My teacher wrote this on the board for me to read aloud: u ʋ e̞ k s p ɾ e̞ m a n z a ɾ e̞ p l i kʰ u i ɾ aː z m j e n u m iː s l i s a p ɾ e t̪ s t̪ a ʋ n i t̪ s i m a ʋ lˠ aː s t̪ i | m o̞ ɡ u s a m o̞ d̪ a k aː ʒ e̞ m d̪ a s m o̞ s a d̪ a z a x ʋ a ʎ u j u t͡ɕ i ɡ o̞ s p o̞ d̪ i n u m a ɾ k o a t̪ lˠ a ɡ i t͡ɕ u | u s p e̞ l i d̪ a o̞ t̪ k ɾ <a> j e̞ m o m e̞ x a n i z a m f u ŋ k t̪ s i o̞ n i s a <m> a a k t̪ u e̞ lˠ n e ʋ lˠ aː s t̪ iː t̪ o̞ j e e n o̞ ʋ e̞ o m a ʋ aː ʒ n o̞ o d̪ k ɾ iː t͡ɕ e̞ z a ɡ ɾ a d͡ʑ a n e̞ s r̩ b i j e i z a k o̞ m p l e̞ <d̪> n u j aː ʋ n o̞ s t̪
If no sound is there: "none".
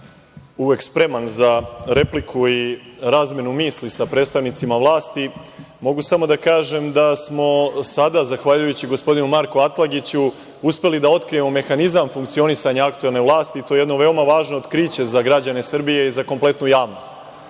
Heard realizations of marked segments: i, ɲ, t̪

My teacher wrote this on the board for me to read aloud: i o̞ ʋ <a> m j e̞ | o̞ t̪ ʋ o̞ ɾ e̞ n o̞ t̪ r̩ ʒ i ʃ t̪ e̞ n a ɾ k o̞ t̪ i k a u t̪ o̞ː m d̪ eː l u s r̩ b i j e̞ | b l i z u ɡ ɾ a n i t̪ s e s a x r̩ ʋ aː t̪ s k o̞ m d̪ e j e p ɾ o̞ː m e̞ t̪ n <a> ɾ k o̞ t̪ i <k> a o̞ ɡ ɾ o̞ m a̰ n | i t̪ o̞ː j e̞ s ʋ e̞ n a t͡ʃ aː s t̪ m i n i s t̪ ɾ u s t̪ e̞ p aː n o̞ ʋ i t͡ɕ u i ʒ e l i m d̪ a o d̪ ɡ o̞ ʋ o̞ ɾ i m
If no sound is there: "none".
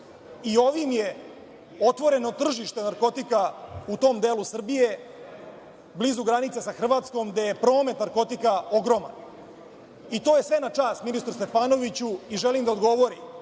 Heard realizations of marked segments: i, a, k

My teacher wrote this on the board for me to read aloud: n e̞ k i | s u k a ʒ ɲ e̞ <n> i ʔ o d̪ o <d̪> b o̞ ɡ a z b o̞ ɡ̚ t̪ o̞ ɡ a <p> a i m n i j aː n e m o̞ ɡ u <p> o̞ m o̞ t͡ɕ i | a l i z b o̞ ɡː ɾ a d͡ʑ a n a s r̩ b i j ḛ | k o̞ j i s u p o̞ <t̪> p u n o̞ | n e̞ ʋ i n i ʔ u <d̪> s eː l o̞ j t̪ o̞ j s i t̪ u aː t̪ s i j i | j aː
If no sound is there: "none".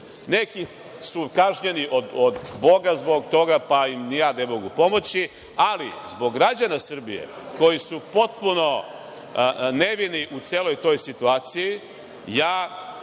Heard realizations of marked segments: n, d̪, p, p, t̪, t̪

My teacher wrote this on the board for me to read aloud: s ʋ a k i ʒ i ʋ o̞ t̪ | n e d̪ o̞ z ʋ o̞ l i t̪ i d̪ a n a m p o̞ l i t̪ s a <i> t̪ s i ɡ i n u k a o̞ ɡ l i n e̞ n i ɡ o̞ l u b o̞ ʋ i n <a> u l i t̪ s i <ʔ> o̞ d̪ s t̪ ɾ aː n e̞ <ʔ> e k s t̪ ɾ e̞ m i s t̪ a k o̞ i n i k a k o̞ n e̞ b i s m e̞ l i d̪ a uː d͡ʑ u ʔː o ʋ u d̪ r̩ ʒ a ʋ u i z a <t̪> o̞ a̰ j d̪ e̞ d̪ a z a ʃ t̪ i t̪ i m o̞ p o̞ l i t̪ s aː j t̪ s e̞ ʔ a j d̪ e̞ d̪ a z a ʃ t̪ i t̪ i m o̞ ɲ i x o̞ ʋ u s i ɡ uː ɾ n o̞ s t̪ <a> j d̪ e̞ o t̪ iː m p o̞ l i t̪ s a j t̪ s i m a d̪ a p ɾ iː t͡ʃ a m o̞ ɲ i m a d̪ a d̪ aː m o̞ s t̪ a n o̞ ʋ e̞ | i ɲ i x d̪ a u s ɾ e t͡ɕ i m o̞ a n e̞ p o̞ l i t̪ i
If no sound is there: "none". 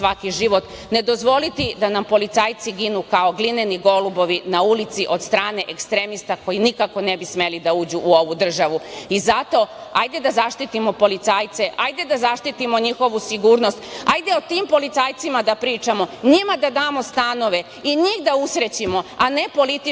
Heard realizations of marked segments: j, a, ʔ, ʔ, t̪, a

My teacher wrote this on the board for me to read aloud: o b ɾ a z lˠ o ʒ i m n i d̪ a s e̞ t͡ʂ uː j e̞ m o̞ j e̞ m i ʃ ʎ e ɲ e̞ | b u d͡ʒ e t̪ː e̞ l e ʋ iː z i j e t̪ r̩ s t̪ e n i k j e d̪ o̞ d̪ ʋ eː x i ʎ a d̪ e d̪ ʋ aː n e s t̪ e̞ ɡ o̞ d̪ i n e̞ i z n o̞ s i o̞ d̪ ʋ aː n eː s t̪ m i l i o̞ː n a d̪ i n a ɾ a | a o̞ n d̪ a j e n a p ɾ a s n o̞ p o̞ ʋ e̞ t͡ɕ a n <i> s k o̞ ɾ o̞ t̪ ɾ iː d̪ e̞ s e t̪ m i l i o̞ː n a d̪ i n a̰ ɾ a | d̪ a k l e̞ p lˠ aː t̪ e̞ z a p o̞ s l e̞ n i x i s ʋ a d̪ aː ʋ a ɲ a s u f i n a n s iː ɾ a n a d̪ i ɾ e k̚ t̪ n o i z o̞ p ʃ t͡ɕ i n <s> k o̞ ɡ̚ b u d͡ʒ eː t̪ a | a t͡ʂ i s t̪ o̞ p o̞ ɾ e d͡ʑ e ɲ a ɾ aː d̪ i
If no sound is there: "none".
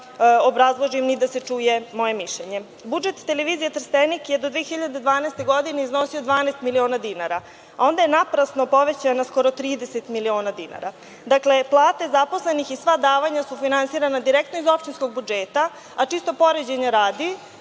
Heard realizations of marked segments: a, s

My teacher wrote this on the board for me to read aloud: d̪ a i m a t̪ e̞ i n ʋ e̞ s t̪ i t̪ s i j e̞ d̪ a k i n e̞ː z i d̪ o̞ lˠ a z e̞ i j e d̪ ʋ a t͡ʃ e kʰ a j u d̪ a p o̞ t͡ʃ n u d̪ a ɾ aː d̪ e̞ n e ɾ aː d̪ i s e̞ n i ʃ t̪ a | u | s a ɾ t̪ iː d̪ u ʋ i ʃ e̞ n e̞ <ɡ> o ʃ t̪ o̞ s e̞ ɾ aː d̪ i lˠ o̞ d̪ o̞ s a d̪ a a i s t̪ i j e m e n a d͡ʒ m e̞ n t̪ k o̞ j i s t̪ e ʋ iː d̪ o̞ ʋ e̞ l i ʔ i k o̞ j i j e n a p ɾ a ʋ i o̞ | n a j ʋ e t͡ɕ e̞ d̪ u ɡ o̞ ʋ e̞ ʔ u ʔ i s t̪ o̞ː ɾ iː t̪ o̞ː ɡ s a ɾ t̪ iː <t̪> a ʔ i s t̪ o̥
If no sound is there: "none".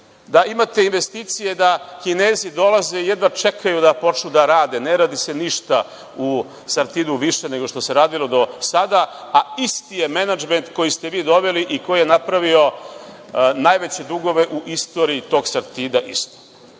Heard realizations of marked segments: ɡ, d̪

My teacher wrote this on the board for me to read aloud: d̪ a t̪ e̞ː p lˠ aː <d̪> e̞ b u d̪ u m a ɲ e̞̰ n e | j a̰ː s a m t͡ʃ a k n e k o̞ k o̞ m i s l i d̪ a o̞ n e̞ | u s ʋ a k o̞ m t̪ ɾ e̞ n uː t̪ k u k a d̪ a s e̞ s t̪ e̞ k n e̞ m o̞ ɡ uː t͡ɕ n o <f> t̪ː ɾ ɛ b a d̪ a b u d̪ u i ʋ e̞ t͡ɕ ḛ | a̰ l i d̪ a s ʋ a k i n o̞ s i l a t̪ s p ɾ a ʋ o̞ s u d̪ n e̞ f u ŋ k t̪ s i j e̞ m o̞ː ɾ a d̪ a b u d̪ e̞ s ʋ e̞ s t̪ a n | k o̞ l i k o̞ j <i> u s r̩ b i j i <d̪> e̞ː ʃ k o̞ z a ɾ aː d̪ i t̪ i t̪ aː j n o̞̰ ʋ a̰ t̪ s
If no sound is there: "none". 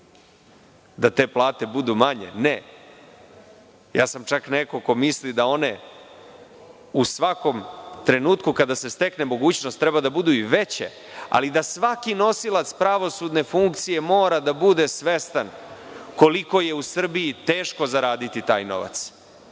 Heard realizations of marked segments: t̪, s, e, t̪

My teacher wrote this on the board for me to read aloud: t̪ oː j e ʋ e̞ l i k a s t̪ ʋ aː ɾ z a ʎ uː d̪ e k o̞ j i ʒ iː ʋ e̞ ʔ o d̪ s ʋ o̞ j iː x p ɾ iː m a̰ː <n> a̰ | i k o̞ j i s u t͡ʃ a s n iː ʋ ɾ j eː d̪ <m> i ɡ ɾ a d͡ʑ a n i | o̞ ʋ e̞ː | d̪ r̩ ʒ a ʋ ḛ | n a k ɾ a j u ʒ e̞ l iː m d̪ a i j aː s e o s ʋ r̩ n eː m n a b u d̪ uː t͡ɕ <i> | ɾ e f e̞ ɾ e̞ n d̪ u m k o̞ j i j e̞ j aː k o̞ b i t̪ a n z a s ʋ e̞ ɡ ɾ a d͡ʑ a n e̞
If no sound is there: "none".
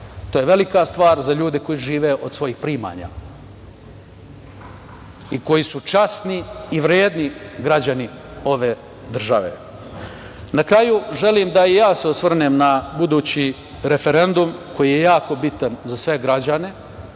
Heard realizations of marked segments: ɲ, n, i

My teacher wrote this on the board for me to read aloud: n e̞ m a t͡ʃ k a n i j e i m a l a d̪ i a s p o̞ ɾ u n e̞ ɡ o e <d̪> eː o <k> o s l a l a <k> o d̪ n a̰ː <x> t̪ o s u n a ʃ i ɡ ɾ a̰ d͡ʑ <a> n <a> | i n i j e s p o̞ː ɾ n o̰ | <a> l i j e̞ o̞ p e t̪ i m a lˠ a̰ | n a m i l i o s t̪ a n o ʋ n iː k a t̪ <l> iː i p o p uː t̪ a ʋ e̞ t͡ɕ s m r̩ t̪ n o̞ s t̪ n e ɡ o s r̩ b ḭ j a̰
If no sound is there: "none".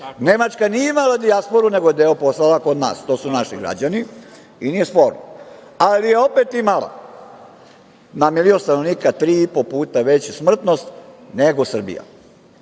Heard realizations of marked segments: d̪, p, k, s, a, i, a, ɾ

